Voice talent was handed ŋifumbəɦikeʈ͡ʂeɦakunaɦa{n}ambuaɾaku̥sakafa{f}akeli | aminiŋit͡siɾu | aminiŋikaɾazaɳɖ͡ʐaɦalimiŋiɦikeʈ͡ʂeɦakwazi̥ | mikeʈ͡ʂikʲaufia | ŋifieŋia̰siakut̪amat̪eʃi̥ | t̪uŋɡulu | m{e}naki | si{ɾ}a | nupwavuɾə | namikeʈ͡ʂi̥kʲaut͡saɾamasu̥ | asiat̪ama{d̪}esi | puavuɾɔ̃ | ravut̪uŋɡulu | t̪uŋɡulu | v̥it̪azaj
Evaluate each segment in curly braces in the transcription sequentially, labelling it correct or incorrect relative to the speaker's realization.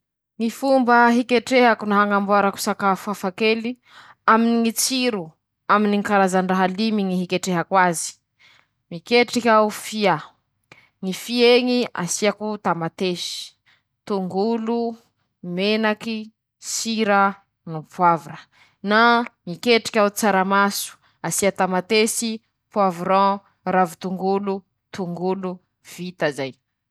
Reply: incorrect, correct, correct, correct, incorrect

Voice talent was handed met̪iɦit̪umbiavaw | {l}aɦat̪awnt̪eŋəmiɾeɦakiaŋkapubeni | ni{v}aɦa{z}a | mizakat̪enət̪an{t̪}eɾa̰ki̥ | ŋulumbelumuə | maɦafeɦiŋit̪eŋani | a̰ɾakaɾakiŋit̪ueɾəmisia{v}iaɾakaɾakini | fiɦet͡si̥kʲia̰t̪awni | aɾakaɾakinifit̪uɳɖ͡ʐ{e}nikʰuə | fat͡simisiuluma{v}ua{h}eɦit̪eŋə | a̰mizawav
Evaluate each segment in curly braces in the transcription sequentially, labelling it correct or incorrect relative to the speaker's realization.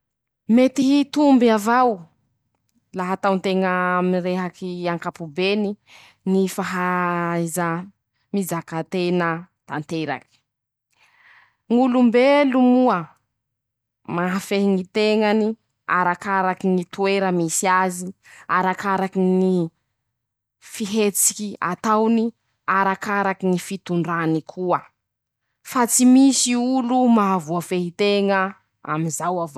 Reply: correct, incorrect, correct, correct, incorrect, incorrect, correct, incorrect

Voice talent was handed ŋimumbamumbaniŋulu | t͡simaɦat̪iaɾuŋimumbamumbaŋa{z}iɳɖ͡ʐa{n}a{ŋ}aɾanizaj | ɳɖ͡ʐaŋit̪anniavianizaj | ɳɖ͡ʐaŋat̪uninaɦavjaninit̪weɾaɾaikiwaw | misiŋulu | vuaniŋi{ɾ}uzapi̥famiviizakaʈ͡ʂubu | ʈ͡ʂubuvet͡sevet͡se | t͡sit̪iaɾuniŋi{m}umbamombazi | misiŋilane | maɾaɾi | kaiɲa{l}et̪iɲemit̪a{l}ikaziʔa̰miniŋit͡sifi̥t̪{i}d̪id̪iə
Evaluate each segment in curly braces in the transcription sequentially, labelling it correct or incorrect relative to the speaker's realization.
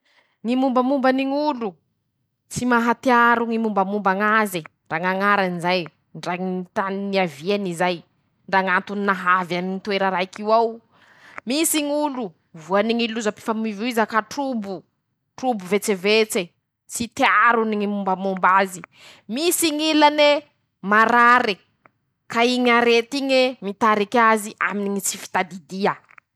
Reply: correct, incorrect, correct, incorrect, correct, incorrect, incorrect, incorrect

